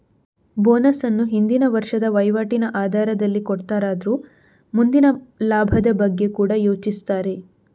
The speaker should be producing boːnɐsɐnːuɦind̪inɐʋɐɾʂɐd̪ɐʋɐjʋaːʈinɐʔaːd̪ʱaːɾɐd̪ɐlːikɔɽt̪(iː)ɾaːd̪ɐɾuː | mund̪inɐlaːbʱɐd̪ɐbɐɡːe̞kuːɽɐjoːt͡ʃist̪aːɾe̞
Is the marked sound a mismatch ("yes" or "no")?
yes